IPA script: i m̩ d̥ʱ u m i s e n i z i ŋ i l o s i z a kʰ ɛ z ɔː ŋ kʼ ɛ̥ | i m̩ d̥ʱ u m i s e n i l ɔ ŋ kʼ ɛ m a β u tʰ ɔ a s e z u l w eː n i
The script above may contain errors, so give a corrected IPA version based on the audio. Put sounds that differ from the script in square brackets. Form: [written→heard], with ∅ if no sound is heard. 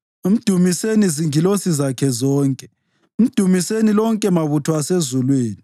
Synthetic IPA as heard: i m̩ d̥ʱ u m i s e n i z i ŋ i l o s i z a kʰ ɛ z ɔː ŋ kʼ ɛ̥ | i m̩ d̥ʱ u m i s e n i l ɔ ŋ kʼ ɛ m a β u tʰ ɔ a s e z u l w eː n i